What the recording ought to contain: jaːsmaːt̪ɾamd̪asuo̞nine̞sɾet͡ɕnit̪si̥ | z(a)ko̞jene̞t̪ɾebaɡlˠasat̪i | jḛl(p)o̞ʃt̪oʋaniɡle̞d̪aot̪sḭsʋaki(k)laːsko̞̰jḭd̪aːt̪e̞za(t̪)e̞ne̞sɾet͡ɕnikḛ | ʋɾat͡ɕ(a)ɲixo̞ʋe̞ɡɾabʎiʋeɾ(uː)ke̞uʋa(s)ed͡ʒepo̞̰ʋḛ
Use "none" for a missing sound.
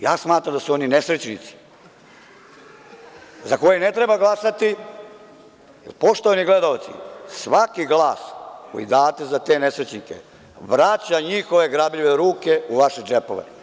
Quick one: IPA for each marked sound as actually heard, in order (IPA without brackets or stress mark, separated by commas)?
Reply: a, p, ɡ, t̪, a, uː, ʃ